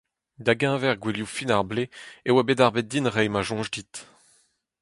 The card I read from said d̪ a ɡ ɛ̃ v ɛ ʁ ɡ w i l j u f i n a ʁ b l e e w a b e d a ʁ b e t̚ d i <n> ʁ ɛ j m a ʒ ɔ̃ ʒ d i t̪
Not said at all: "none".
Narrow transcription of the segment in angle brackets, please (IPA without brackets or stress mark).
n